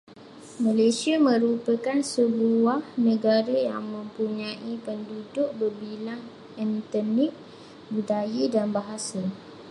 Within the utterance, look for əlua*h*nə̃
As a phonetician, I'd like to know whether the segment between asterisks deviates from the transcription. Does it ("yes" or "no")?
no